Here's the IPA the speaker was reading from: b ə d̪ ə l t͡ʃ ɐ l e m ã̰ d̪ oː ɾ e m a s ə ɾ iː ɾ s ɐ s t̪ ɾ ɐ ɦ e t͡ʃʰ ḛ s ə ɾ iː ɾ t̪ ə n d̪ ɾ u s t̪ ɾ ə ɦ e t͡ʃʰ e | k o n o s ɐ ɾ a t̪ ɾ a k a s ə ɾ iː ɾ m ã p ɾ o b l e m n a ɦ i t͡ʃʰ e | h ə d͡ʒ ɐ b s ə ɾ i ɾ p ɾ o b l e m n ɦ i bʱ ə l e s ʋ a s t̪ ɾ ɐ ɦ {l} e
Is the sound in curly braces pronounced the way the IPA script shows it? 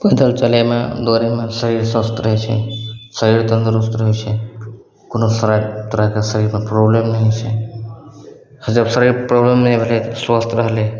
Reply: yes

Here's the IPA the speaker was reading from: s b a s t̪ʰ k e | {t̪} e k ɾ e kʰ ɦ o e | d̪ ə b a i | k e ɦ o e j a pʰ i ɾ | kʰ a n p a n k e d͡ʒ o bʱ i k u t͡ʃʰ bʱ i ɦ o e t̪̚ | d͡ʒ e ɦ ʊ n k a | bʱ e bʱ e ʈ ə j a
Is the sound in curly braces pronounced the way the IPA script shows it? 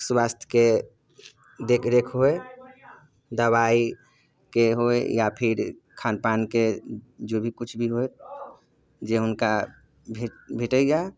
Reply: no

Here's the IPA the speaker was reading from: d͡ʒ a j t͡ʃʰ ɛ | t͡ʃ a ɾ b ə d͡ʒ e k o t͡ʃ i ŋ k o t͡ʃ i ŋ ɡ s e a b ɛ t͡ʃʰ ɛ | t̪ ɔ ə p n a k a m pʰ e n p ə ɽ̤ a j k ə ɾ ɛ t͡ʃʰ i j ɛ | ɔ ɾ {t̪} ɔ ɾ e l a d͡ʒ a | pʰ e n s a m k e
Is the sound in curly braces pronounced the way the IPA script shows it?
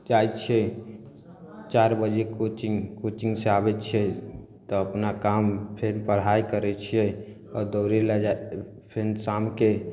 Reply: no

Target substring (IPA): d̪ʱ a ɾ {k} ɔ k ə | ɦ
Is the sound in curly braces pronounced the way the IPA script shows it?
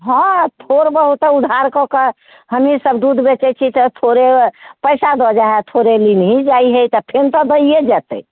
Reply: yes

